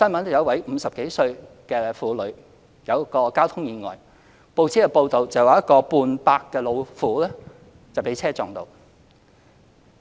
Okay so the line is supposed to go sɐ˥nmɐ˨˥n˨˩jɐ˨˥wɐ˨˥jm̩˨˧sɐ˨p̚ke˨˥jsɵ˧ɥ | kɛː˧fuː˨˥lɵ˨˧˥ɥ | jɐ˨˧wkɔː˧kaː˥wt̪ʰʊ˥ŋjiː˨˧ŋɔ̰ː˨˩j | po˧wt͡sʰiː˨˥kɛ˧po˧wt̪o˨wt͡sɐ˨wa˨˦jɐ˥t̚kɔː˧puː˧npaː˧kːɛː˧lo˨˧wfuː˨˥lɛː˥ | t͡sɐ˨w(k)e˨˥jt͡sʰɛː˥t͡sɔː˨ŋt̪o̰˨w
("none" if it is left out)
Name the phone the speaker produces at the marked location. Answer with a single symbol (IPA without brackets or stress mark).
p